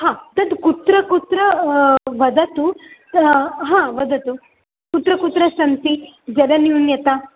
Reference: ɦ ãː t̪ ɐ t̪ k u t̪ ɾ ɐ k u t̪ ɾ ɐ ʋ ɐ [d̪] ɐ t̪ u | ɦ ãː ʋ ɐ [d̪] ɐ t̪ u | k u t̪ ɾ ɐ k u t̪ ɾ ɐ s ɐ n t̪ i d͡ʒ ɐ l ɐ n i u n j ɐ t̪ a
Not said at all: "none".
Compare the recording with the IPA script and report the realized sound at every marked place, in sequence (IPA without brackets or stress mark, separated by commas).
d̪, d̪